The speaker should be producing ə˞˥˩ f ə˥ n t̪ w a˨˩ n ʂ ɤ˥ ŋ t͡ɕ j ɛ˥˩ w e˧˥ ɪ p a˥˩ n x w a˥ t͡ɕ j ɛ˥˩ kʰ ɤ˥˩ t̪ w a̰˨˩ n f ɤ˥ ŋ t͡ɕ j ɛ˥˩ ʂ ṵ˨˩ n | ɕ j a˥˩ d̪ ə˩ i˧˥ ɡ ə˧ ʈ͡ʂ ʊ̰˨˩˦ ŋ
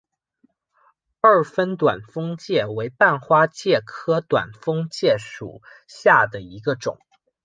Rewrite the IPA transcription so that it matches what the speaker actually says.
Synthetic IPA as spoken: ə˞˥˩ f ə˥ n t̪ w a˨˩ n f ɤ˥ ŋ t͡ɕ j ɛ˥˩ w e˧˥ ɪ p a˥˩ n x w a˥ t͡ɕ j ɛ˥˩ kʰ ɤ˥ t̪ w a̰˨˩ n f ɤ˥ ŋ t͡ɕ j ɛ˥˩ ʂ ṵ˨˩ | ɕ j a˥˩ d̪ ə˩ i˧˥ ɡ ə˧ ʈ͡ʂ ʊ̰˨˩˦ ŋ

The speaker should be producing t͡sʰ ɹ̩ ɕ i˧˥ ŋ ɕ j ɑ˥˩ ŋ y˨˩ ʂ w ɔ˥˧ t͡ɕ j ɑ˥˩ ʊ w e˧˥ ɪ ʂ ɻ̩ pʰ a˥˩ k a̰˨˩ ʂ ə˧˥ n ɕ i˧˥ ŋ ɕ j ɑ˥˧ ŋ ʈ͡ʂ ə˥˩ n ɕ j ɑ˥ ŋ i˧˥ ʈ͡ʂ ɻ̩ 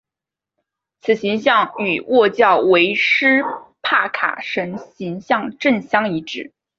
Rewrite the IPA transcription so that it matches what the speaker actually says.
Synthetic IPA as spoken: t͡sʰ ɹ̩ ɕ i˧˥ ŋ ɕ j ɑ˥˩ ŋ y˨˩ w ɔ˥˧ t͡ɕ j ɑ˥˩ ʊ w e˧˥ ɪ ʂ ɻ̩ pʰ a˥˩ kʰ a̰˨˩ ʂ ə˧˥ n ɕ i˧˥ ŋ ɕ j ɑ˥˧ ŋ ʈ͡ʂ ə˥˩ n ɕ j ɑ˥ ŋ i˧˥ ʈ͡ʂ ɻ̩

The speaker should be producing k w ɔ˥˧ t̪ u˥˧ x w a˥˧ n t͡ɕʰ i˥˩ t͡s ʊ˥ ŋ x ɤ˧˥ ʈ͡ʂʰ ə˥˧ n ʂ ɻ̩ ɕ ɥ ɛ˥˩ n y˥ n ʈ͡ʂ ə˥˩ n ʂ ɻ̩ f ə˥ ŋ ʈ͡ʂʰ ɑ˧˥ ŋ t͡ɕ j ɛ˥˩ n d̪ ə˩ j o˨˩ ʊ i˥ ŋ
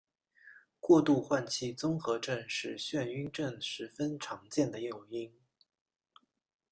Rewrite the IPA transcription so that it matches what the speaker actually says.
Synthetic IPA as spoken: k w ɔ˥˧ t̪ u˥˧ x w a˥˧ n t͡ɕʰ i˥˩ t͡s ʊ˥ ŋ x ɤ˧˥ ʈ͡ʂ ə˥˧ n ʂ ɻ̩ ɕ ɥ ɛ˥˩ n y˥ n ʈ͡ʂ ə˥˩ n ʂ ɻ̩ f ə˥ n ʈ͡ʂʰ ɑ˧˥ ŋ t͡ɕ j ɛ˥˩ n d̪ ə˩ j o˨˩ ʊ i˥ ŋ

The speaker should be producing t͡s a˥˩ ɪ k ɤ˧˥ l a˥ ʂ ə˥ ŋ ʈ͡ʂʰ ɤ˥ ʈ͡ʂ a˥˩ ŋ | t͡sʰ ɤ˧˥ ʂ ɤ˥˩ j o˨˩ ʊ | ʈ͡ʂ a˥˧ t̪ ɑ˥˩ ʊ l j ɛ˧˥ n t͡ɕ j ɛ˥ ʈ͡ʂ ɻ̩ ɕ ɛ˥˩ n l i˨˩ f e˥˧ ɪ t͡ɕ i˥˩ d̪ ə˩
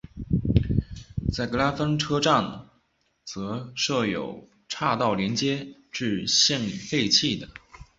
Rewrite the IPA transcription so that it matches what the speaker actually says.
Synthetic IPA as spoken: t͡s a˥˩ ɪ k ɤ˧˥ l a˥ f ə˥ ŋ ʈ͡ʂʰ ɤ˥ ʈ͡ʂ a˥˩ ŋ | t͡s ɤ˧˥ ʂ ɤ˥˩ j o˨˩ ʊ | ʈ͡ʂʰ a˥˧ t̪ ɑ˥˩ ʊ l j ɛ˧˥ n t͡ɕ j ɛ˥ ʈ͡ʂ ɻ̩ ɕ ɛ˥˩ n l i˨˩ f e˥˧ ɪ t͡ɕʰ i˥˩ d̪ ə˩

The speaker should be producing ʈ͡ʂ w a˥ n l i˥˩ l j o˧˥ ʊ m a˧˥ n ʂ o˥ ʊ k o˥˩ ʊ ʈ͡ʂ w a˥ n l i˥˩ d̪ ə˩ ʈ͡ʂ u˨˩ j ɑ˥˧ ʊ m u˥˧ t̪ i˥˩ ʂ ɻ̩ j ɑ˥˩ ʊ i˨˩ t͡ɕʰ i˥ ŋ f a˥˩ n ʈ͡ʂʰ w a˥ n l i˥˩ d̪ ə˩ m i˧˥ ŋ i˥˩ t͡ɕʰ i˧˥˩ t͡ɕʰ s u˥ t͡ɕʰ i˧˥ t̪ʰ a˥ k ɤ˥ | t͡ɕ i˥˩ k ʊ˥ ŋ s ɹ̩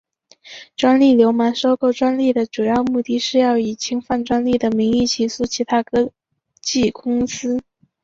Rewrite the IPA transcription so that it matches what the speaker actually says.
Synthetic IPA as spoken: ʈ͡ʂ w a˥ n l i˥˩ l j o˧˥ ʊ m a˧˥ n ʂ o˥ ʊ k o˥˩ ʊ ʈ͡ʂ w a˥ n l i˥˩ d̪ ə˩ ʈ͡ʂ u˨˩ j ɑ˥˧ ʊ m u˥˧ t̪ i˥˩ ʂ ɻ̩ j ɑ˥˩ ʊ i˨˩ t͡ɕʰ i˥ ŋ f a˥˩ n ʈ͡ʂ w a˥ n l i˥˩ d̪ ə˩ m i˧˥ ŋ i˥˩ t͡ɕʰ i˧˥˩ s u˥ t͡ɕʰ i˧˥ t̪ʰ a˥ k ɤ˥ | t͡ɕ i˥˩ k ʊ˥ ŋ s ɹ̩

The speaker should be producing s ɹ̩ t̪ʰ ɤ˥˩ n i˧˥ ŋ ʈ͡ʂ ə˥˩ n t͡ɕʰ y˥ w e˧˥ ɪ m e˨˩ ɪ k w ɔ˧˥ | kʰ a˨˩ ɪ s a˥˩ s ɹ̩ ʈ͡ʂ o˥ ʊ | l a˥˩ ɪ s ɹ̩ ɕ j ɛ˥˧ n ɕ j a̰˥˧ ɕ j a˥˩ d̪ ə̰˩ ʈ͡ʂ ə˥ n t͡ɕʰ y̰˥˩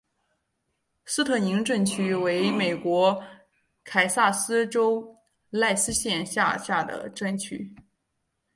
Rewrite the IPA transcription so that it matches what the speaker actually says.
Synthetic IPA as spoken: s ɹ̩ t̪ʰ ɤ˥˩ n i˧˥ ŋ ʈ͡ʂ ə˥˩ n t͡ɕʰ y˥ w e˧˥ ɪ m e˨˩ ɪ k w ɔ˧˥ | kʰ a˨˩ ɪ s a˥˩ s ɹ̩ ʈ͡ʂ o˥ ʊ | l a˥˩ ɪ s ɹ̩ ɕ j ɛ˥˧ n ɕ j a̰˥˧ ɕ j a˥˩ d̪ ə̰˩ ʈ͡ʂ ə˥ n t͡ɕʰ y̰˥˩

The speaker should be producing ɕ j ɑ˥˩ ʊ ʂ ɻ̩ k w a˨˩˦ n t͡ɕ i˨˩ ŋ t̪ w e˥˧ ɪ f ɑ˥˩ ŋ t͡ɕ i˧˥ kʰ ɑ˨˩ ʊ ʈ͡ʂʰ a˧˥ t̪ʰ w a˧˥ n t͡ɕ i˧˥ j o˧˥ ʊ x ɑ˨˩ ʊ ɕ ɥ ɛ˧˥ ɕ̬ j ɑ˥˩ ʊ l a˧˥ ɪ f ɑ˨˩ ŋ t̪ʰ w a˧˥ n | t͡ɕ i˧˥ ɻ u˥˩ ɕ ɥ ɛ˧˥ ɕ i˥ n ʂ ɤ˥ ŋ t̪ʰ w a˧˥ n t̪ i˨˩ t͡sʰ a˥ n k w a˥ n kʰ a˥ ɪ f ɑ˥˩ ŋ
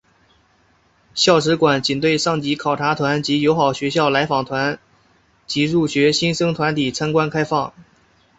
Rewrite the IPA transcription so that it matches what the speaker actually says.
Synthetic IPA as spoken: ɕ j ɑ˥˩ ʊ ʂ ɻ̩ k w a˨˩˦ n t͡ɕ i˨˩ n t̪ w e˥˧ ɪ ʂ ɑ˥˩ ŋ t͡ɕ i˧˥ kʰ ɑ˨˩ ʊ ʈ͡ʂʰ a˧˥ t̪ʰ w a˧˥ n t͡ɕ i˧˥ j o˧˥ ʊ x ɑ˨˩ ʊ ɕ ɥ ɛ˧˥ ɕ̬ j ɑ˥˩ ʊ l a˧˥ ɪ f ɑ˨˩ ŋ t̪ʰ w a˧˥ n | t͡ɕ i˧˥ ɻ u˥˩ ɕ ɥ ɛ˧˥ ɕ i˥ n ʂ ɤ˥ ŋ t̪ʰ w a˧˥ n t̪ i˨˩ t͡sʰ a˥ n k w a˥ n kʰ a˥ ɪ f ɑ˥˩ ŋ

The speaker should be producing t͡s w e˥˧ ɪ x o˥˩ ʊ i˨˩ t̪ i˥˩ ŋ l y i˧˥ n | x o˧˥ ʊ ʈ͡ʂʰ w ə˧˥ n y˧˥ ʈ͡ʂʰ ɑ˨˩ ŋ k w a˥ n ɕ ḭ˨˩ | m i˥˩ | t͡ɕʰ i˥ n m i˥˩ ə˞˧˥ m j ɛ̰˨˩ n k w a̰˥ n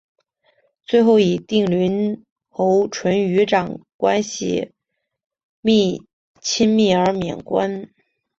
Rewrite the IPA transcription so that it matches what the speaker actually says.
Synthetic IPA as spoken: t͡s w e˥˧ ɪ x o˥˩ ʊ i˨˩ t̪ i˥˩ ŋ l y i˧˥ n | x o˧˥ ʊ ʈ͡ʂʰ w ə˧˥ n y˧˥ ʈ͡ʂ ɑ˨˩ ŋ k w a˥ n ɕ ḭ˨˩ | m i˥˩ | t͡ɕʰ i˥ n m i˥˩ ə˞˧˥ m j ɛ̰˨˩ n k w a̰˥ n

